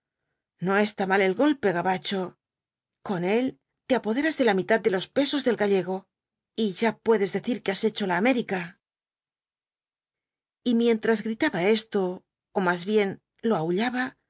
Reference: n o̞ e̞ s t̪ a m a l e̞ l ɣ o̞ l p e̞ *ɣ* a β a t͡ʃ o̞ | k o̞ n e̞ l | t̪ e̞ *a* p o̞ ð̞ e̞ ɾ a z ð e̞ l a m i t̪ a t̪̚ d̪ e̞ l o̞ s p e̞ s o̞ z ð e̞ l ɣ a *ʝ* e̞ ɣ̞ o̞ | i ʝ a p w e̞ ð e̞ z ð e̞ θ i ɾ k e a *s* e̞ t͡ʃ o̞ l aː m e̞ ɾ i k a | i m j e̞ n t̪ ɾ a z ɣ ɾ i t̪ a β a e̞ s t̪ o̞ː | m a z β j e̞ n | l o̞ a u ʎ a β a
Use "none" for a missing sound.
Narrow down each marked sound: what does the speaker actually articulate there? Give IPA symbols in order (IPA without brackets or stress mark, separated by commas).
ɣ, a, ʎ, s